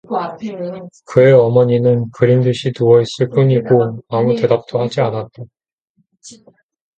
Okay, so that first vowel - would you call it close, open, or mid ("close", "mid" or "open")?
close